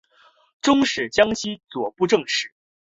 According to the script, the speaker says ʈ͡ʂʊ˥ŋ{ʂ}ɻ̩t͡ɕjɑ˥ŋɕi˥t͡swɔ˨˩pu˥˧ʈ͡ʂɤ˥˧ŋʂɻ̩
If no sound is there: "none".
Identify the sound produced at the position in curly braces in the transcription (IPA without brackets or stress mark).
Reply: ʂ